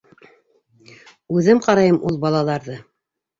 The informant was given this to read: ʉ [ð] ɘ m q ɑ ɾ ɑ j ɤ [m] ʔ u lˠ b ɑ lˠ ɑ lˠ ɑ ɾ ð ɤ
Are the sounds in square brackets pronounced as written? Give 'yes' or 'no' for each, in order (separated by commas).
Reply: yes, yes